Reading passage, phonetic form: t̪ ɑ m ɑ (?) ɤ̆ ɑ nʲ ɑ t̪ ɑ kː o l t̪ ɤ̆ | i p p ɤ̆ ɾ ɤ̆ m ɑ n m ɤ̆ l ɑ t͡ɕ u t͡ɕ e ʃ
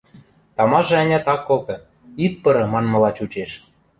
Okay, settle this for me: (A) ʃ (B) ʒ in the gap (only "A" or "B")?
B